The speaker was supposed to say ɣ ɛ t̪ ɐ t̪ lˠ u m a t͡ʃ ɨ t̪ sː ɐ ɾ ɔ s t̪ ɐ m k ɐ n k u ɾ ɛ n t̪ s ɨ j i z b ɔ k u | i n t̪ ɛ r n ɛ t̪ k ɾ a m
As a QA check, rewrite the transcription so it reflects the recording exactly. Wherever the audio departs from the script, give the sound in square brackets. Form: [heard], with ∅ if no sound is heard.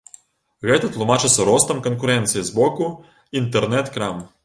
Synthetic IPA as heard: ɣ ɛ t̪ ɐ t̪ lˠ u m a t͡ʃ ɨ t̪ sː ɐ ɾ ɔ s t̪ ɐ m k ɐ n k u ɾ ɛ n t̪ s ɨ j i z b ɔ k u | i n t̪ ɛ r n ɛ t̪ k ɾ a m